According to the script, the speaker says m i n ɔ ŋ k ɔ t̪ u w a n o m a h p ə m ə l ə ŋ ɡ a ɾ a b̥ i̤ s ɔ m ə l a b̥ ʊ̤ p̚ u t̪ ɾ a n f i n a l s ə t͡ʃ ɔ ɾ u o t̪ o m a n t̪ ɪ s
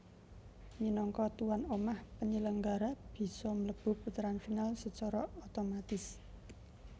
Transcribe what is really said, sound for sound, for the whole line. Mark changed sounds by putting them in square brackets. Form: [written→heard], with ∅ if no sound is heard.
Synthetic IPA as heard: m i n ɔ ŋ k ɔ t̪ u w a n o m a h p ə [m→ɲ] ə l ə ŋ ɡ a ɾ a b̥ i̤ s ɔ m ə l [a→ə] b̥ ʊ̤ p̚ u t̪ ɾ a n f i n a l s ə t͡ʃ ɔ ɾ [u→ɔ] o t̪ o m a [n→∅] t̪ ɪ s